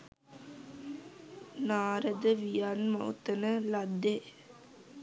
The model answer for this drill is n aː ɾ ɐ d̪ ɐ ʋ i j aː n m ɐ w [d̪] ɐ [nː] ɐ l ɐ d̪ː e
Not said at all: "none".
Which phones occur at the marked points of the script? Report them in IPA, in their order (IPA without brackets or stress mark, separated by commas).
t̪, n